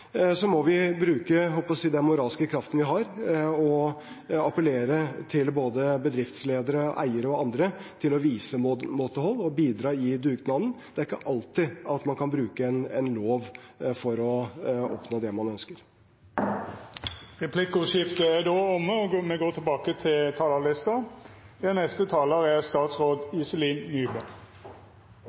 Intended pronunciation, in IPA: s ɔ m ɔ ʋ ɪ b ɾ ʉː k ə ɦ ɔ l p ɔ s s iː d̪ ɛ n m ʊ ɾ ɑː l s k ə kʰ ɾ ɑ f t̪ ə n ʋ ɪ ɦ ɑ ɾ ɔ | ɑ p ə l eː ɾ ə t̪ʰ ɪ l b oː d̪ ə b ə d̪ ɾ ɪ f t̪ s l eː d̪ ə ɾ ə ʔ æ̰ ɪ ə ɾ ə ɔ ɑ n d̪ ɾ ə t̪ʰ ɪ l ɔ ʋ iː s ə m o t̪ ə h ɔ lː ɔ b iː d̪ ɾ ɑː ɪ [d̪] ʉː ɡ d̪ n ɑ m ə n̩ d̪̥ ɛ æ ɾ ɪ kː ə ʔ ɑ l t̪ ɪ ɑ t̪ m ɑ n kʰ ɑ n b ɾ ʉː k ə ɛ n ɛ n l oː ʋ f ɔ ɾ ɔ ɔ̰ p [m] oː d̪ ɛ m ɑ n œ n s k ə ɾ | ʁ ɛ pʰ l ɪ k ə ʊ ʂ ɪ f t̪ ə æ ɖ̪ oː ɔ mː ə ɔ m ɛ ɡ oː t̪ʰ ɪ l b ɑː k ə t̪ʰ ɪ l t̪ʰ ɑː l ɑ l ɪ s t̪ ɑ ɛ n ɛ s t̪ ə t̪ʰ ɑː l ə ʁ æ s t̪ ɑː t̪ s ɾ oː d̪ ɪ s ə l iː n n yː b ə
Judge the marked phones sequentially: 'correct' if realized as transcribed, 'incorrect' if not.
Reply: correct, incorrect: n

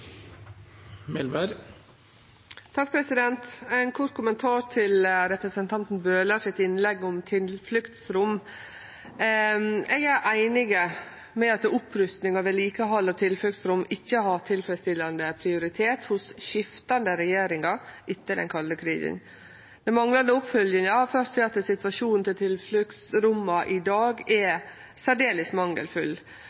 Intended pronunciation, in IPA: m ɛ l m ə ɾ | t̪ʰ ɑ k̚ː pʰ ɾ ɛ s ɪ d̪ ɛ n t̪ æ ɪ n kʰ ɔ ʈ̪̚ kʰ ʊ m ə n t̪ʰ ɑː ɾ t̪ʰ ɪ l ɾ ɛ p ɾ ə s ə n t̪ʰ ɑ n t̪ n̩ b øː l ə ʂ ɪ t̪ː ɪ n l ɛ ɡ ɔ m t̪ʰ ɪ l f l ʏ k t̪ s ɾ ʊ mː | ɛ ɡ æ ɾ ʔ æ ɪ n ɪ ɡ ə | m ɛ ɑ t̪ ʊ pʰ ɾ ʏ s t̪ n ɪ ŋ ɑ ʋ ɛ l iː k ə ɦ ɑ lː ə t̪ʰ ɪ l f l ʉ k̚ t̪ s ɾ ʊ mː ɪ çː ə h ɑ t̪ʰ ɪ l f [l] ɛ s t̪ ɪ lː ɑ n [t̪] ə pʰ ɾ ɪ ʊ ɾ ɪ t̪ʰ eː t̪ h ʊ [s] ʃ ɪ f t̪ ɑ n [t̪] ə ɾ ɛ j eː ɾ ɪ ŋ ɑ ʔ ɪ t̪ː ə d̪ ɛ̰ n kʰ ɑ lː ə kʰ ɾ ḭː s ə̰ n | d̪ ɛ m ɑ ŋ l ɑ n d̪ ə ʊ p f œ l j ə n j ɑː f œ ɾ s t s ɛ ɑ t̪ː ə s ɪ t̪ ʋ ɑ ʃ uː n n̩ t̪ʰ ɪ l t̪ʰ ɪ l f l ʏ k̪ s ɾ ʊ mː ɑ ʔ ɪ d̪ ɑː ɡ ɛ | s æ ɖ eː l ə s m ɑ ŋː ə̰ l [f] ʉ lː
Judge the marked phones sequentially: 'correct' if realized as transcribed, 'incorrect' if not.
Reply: incorrect: ɾ, incorrect: d̪, correct, incorrect: d̪, correct

